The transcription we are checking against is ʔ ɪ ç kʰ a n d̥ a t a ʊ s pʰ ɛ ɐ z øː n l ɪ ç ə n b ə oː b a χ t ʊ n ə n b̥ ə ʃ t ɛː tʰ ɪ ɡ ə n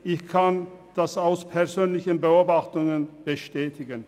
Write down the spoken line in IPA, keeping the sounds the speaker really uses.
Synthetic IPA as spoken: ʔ ɪ ç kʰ a n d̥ a s a ʊ s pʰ ɛ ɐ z øː n l ɪ ç ə n b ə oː b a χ t ʊ ŋ ə n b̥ ə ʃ t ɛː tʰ ɪ ɡ ə n